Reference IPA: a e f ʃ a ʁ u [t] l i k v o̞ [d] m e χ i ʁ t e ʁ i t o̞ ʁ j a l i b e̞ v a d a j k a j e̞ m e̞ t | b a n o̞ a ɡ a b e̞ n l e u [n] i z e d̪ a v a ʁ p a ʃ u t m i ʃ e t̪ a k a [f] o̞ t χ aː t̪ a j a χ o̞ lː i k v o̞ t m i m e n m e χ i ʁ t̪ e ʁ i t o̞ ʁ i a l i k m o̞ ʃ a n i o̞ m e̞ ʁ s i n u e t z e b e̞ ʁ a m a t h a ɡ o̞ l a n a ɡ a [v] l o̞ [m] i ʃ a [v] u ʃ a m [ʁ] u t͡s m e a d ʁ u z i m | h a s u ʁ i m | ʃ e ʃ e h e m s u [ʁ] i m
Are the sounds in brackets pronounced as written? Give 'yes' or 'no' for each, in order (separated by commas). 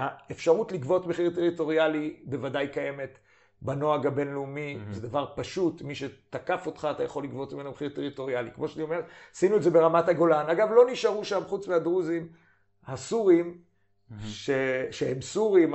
yes, no, no, yes, yes, no, no, no, yes